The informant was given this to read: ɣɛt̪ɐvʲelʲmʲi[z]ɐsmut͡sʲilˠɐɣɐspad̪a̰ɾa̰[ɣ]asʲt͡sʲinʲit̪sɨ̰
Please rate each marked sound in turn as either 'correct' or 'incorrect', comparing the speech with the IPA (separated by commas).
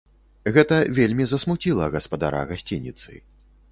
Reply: correct, correct